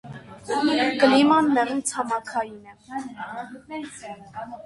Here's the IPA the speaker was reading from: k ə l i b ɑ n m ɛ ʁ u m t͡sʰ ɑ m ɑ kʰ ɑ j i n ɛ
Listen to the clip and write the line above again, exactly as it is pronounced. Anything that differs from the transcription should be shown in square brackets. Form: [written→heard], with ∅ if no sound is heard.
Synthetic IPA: k ə l i [b→m] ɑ n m ɛ ʁ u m t͡sʰ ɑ m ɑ kʰ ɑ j i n ɛ